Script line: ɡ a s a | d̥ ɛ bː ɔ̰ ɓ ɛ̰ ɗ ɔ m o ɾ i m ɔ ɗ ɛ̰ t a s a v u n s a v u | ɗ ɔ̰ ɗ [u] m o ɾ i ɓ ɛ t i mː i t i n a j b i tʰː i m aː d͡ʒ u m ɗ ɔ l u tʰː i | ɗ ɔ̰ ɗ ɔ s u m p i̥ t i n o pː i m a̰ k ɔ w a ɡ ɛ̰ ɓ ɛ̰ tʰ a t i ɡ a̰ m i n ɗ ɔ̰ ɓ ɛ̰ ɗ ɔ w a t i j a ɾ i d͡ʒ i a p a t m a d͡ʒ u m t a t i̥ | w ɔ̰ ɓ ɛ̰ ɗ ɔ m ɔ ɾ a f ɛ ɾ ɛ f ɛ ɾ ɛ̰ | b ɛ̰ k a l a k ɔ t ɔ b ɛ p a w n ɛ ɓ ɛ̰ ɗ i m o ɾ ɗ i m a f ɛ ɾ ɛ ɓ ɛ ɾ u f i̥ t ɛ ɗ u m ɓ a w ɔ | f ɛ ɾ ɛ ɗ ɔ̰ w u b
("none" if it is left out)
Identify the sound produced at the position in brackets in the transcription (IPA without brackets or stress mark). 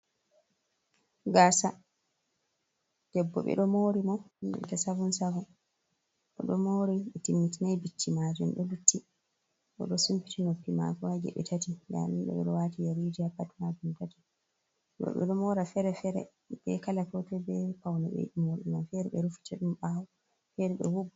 ɔ